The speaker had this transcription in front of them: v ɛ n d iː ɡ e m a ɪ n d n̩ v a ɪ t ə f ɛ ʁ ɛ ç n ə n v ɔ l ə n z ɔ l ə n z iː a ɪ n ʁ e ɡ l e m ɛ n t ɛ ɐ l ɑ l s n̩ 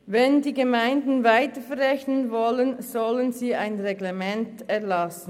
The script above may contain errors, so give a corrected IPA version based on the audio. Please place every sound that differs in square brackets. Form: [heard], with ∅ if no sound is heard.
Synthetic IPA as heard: v ɛ n d iː ɡ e m a ɪ n d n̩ v a ɪ t ə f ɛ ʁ ɛ ç n ə n v ɔ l ə n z ɔ l ə n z iː a ɪ n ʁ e ɡ l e m ɛ n t ɛ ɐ l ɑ [∅] s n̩